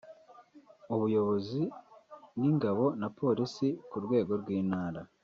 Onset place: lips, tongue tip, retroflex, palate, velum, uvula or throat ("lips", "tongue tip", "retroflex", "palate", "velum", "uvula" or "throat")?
lips